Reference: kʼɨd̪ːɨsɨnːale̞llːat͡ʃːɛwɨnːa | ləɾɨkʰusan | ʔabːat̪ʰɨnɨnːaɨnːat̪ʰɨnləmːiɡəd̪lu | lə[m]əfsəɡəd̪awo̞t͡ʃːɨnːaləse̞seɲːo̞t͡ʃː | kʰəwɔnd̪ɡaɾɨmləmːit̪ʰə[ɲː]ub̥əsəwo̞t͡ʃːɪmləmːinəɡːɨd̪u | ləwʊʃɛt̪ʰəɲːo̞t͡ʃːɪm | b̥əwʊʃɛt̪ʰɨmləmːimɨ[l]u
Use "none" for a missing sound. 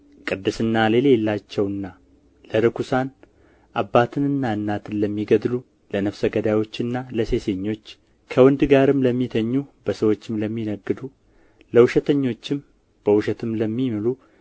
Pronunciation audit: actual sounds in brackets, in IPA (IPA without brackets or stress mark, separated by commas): n, ɲː, l